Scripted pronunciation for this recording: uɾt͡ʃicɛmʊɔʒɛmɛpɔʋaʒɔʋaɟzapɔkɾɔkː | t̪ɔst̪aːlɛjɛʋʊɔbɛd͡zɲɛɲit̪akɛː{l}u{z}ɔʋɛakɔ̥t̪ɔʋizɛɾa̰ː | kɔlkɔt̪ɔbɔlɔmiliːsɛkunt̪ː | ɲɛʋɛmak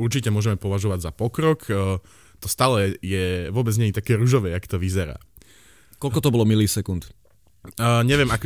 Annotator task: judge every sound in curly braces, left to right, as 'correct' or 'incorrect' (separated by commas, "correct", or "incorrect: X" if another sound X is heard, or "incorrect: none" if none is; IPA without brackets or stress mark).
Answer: incorrect: ɾ, incorrect: ʒ